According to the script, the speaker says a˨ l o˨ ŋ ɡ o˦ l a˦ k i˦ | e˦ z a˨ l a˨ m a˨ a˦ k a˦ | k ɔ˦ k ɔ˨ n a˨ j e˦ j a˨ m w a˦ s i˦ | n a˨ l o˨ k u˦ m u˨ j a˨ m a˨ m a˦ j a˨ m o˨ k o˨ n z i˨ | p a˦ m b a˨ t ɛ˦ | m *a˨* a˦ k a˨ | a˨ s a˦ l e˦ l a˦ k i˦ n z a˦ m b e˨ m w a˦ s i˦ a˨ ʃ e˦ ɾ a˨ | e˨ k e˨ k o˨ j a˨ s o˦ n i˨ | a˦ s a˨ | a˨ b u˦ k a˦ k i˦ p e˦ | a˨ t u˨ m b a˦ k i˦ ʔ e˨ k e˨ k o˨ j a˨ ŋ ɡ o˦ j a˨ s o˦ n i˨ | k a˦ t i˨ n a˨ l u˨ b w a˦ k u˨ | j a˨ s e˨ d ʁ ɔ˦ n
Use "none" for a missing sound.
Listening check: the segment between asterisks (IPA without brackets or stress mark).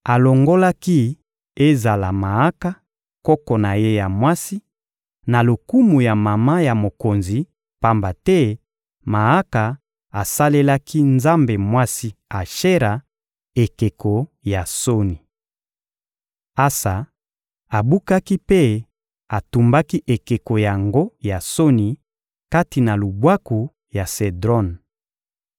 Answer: a˨